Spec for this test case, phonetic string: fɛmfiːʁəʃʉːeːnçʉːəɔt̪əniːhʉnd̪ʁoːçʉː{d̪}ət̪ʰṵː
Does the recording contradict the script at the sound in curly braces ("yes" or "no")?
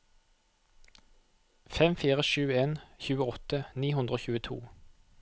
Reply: yes